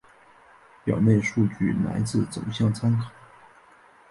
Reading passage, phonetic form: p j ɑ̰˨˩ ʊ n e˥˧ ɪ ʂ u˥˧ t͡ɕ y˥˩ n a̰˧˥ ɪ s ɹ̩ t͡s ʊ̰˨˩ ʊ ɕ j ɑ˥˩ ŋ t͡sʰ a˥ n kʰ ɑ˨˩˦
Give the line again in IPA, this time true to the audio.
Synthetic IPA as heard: p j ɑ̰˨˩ ʊ n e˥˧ ɪ ʂ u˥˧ t͡ɕ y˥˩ n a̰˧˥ ɪ t͡s ɹ̩ t͡s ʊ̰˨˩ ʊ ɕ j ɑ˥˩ ŋ t͡sʰ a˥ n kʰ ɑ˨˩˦